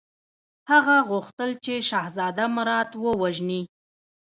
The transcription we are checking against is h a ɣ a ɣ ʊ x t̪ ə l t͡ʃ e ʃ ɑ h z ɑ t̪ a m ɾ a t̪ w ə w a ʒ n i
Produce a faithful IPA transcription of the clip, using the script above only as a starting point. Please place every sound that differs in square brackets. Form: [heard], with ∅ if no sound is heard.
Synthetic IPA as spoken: h a ɣ a ɣ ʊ x t̪ ə l t͡ʃ e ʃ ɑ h z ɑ [d̪] a m ɾ [ɑ] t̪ w ə w a ʒ n i